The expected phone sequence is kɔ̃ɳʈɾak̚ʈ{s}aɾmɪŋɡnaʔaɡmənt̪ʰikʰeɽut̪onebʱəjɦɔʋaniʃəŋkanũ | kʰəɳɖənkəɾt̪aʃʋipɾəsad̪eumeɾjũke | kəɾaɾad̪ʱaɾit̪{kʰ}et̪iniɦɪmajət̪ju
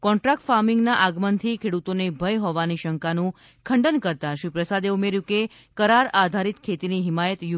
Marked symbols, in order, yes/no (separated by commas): no, yes